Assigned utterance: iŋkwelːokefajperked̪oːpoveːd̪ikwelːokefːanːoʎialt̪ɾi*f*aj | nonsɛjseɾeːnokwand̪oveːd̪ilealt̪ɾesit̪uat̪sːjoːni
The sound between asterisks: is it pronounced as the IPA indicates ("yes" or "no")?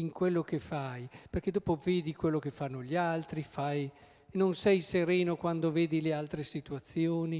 yes